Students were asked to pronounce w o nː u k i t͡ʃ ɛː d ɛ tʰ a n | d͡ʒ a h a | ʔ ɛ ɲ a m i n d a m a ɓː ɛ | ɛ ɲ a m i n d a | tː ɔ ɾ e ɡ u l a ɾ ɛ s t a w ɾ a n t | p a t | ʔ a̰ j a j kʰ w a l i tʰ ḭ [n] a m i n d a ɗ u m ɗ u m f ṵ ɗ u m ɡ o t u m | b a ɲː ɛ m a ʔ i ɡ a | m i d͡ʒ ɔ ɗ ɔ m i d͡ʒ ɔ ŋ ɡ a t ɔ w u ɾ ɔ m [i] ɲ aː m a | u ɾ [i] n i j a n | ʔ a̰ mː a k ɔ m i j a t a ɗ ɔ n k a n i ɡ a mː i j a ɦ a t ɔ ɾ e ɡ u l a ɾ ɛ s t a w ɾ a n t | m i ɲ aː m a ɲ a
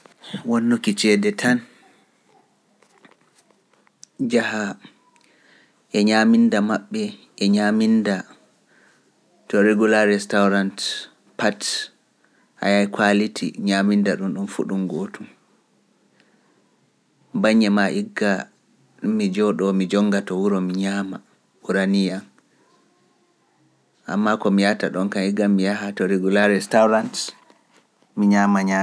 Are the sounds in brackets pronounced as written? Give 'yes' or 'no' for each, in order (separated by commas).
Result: no, yes, no